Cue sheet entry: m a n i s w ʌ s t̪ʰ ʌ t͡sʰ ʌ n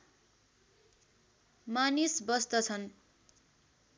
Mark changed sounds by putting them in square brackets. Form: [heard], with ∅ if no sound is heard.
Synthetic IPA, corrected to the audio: m a n i s [b] ʌ s [t̪] ʌ t͡sʰ ʌ n